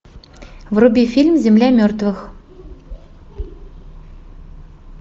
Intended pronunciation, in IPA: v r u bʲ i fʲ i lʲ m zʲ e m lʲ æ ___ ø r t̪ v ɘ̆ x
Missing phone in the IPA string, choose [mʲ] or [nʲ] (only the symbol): mʲ